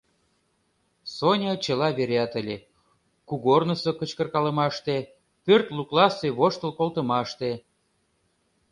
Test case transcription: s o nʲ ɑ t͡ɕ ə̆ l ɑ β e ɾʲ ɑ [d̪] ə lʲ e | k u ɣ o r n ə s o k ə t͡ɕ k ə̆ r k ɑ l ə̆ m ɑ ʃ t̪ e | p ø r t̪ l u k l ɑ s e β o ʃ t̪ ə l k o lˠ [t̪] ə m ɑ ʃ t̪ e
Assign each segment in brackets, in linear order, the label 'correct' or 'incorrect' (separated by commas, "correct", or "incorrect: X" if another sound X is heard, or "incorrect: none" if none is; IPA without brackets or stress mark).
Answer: incorrect: t̪, correct